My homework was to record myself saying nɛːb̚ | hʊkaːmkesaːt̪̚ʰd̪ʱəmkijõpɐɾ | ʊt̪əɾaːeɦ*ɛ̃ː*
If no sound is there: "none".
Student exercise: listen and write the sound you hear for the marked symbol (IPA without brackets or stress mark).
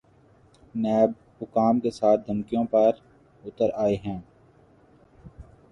ɛ̃ː